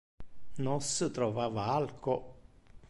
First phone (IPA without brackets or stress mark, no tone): n